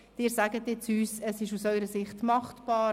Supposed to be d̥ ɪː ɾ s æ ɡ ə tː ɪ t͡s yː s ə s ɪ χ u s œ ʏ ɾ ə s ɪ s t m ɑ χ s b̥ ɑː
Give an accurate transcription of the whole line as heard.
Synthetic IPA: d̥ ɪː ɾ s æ ɡ ə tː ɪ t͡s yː s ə s ɪ ʃ u s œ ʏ ɾ ə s ɪ χ t m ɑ χ t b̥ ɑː